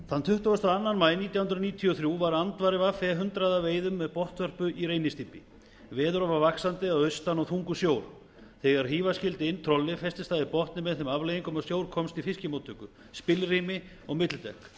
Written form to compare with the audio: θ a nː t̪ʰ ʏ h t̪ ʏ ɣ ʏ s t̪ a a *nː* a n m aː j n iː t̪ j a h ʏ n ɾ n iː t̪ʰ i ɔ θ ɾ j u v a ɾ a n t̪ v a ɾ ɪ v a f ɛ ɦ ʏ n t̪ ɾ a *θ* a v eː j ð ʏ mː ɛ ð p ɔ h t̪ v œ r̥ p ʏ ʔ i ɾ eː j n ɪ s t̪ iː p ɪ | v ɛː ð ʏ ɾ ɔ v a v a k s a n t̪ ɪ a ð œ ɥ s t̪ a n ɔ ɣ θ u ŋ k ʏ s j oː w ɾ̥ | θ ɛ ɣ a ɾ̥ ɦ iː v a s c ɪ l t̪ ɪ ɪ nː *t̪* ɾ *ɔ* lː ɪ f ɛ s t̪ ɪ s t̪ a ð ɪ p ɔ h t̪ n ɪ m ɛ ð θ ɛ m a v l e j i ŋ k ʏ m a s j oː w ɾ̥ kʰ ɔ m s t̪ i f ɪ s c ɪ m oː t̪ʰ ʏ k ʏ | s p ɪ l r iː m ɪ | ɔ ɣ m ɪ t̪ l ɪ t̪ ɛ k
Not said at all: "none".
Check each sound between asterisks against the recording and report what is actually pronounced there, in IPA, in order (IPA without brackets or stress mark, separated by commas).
nː, ð, t̪ʰ, ɔ